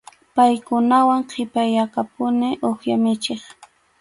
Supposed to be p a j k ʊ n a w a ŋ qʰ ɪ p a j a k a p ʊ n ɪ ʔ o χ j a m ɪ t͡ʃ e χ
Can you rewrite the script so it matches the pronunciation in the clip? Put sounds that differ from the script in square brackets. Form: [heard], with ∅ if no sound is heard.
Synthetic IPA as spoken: p a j k ʊ n a w a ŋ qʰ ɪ p a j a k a p ʊ n ɪ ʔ o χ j a m ɪ t͡ʃ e χ